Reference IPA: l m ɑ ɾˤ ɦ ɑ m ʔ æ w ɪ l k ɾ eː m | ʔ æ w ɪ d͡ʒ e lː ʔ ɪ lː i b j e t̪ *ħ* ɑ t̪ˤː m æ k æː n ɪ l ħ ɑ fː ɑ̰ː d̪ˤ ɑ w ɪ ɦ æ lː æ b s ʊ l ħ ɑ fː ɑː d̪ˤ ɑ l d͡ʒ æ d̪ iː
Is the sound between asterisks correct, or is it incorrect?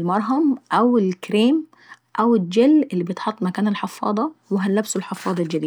correct